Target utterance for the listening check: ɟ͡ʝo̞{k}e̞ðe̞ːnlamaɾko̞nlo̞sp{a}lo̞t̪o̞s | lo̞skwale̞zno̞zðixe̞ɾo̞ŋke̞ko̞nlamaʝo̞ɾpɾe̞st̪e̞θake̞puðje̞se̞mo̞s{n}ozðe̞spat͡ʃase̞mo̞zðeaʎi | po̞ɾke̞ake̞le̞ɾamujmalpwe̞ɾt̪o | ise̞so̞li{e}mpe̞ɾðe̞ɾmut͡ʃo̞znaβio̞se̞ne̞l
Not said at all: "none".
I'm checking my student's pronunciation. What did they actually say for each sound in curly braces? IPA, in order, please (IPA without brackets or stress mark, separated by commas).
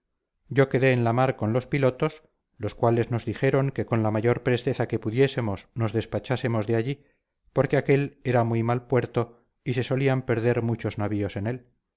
k, i, n, a